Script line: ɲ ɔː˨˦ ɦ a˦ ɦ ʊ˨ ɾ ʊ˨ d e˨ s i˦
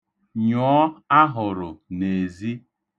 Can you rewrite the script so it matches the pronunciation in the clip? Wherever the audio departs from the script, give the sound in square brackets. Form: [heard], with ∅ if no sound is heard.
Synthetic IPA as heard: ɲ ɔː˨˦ [∅] a˦ ɦ ʊ˨ ɾ ʊ˨ [n] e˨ [z] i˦